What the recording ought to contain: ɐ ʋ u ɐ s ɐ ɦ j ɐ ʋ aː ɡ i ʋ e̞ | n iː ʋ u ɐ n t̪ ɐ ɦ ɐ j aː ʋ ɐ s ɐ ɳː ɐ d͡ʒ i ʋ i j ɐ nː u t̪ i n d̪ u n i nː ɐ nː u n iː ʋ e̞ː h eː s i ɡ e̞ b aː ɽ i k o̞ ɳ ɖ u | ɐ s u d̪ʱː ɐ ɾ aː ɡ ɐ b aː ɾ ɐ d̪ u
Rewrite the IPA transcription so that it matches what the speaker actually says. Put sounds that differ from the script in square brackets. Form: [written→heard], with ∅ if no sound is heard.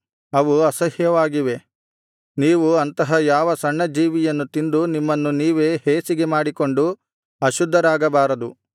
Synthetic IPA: ɐ ʋ u ɐ s ɐ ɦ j ɐ ʋ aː ɡ i ʋ e̞ | n iː ʋ u ɐ n t̪ ɐ ɦ ɐ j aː ʋ ɐ s ɐ ɳː ɐ d͡ʒ [i→iː] ʋ i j ɐ nː u t̪ i n d̪ u n i [nː→mː] ɐ nː u n iː ʋ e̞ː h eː s i ɡ e̞ [b→m] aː ɽ i k o̞ ɳ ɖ u | ɐ [s→ʃ] u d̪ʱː ɐ ɾ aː ɡ ɐ b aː ɾ ɐ d̪ u

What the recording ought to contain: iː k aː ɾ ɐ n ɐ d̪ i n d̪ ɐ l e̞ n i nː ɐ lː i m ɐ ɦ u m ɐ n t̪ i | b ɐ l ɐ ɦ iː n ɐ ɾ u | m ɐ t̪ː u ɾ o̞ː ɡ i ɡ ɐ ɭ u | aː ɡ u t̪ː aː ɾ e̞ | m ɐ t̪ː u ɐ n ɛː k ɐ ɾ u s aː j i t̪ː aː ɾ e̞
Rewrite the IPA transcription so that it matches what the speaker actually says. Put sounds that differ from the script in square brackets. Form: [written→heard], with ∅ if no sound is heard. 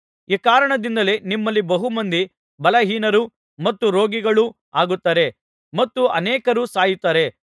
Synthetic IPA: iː k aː ɾ ɐ [n→ɳ] ɐ d̪ i n d̪ ɐ l e̞ n i [nː→mː] ɐ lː i [m→b] ɐ ɦ u m ɐ n [t̪→d̪] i | b ɐ l ɐ ɦ iː n ɐ ɾ u | m ɐ t̪ː u ɾ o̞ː ɡ i ɡ ɐ ɭ u | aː ɡ u t̪ː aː ɾ e̞ | m ɐ t̪ː u ɐ n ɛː k ɐ ɾ u s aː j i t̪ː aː ɾ e̞

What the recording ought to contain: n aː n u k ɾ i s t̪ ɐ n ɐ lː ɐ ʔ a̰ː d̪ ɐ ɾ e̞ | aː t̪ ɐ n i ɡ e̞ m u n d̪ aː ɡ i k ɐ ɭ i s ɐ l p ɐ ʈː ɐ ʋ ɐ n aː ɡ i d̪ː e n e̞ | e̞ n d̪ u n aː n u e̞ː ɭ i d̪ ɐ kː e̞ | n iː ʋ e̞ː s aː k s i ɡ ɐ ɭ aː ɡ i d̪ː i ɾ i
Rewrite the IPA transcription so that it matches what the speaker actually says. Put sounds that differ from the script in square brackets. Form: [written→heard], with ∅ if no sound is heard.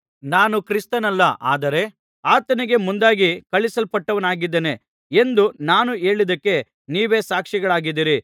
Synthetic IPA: n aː n u k ɾ i s t̪ ɐ n ɐ lː ɐ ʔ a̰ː d̪ ɐ ɾ e̞ | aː t̪ ɐ n i ɡ e̞ m u n d̪ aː ɡ i k ɐ ɭ i s ɐ l p ɐ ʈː ɐ ʋ ɐ n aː ɡ i d̪ː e n e̞ | e̞ n d̪ u n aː n u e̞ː ɭ i d̪ ɐ kː e̞ | n iː ʋ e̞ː s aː k [s→ʂ] i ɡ ɐ ɭ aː ɡ i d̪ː i ɾ i

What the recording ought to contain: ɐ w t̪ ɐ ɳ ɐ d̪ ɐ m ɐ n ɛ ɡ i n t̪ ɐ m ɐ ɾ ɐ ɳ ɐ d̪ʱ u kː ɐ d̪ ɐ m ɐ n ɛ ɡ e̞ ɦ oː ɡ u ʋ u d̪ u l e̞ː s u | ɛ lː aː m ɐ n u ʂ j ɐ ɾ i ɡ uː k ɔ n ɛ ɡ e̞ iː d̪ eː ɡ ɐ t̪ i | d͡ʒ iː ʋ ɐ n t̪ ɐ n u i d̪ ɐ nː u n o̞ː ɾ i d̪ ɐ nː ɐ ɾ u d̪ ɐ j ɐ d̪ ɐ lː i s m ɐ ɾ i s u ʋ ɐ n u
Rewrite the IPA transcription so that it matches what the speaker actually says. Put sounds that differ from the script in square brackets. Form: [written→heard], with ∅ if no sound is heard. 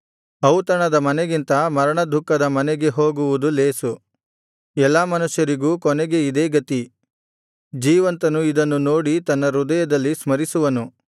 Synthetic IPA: ɐ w t̪ ɐ ɳ ɐ d̪ ɐ m ɐ n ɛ ɡ i n t̪ ɐ m ɐ ɾ ɐ ɳ ɐ d̪ʱ u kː ɐ d̪ ɐ m ɐ n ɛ ɡ e̞ ɦ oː ɡ u ʋ u d̪ u l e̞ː s u | ɛ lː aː m ɐ n u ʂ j ɐ ɾ i ɡ uː k ɔ n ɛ ɡ e̞ [iː→i] d̪ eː ɡ ɐ t̪ i | d͡ʒ iː ʋ ɐ n t̪ ɐ n u i d̪ ɐ nː u n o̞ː [ɾ→ɽ] i [d̪→t̪] ɐ nː ɐ ɾ u d̪ ɐ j ɐ d̪ ɐ lː i s m ɐ ɾ i s u ʋ ɐ n u

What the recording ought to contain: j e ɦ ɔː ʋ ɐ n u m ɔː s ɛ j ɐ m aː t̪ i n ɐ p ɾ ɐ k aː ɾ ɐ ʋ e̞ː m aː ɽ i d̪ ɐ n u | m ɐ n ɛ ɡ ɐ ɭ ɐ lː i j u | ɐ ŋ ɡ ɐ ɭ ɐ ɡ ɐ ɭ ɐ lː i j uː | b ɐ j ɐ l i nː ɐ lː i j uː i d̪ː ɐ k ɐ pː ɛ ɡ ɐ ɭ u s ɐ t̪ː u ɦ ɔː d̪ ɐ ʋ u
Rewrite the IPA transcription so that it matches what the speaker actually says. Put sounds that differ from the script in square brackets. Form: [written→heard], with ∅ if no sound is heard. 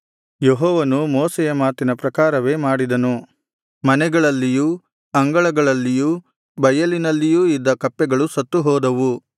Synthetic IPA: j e ɦ ɔː ʋ ɐ n u m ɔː s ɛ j ɐ m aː t̪ i n ɐ p ɾ ɐ k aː ɾ ɐ ʋ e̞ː m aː ɽ i d̪ ɐ n u | m ɐ n ɛ ɡ ɐ ɭ ɐ lː i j u | ɐ ŋ ɡ ɐ ɭ ɐ ɡ ɐ ɭ ɐ lː i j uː | b ɐ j ɐ l i [nː→n] ɐ lː i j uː i d̪ː ɐ k ɐ pː ɛ ɡ ɐ ɭ u s ɐ t̪ː u ɦ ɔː d̪ ɐ ʋ u

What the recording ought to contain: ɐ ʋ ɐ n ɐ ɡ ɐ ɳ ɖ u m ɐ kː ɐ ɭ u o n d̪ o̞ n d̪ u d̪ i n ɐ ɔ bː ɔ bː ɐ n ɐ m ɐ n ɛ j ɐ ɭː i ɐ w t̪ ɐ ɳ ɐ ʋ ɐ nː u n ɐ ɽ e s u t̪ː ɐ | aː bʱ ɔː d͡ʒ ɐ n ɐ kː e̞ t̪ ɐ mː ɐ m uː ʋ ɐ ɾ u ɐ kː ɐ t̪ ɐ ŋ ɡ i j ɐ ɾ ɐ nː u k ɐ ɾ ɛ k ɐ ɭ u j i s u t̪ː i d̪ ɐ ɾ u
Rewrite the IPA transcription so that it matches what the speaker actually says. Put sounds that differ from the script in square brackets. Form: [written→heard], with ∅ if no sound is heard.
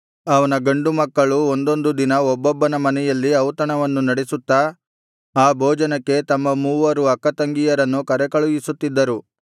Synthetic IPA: ɐ ʋ ɐ n ɐ ɡ ɐ ɳ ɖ u m ɐ kː ɐ ɭ u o n d̪ o̞ n d̪ u d̪ i n ɐ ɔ bː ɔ bː ɐ n ɐ m ɐ n ɛ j ɐ [ɭː→lː] i ɐ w t̪ ɐ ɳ ɐ ʋ ɐ nː u n ɐ ɽ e s u t̪ː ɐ | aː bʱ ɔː d͡ʒ ɐ n ɐ kː e̞ t̪ ɐ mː ɐ m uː ʋ ɐ ɾ u ɐ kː ɐ t̪ ɐ ŋ ɡ i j ɐ ɾ ɐ nː u k ɐ ɾ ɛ k ɐ ɭ u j i s u t̪ː i [d̪→d̪ː] ɐ ɾ u

